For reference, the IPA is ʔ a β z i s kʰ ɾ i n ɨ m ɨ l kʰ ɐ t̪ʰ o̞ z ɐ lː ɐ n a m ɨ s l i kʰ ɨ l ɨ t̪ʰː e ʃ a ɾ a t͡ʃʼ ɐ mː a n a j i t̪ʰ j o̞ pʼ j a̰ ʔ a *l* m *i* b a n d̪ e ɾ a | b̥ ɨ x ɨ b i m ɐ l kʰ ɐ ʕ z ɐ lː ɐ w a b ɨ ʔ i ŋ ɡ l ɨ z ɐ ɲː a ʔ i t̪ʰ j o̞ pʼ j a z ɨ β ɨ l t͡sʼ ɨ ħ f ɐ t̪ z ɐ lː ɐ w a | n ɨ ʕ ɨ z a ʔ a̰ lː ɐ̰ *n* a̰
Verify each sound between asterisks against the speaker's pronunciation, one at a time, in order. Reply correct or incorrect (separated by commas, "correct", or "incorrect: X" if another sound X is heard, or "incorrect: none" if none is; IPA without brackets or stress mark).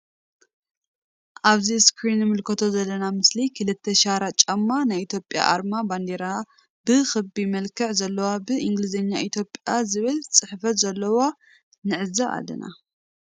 incorrect: ɾ, incorrect: a, correct